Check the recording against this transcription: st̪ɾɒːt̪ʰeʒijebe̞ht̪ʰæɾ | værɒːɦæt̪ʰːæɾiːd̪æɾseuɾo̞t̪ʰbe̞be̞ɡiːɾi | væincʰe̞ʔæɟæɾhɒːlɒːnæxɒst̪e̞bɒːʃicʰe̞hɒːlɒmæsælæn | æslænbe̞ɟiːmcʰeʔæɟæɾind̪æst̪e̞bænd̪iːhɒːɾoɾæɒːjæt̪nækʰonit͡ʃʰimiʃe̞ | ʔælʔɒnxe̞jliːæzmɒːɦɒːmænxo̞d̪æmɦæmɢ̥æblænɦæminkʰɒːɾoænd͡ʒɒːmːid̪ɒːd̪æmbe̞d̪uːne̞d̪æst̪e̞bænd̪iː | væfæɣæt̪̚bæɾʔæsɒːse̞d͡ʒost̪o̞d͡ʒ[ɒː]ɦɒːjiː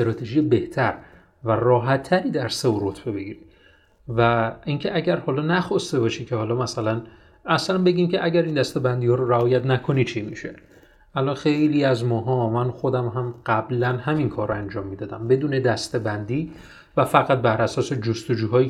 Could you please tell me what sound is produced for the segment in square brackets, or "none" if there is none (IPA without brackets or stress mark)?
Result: uː